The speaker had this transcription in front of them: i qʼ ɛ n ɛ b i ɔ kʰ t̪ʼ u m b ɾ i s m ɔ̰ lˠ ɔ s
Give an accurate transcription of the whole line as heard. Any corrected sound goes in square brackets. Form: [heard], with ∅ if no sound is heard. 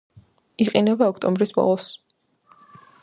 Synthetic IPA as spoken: i qʼ [i] n ɛ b [a] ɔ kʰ t̪ʼ [ɔ] m b ɾ i s [b] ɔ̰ lˠ ɔ s